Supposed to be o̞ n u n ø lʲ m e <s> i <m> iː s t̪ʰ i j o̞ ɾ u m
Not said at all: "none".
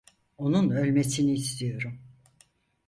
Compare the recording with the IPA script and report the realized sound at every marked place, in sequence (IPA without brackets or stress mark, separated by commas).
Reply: s, n